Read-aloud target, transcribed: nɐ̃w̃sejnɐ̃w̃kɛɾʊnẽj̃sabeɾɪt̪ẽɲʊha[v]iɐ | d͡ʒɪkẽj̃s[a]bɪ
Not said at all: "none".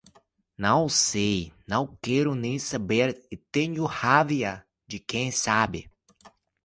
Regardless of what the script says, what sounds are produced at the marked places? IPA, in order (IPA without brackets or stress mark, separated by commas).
v, a